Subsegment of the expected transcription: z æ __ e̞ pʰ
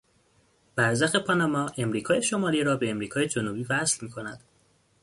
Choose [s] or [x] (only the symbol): x